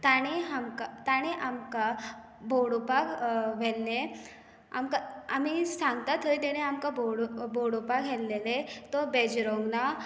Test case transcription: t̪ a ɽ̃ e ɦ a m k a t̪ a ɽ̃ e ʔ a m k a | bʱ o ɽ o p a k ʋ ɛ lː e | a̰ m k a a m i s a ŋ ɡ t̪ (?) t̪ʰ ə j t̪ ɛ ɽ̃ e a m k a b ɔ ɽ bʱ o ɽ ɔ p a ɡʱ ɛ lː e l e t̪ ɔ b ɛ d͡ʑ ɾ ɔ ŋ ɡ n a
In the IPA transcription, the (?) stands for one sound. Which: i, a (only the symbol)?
a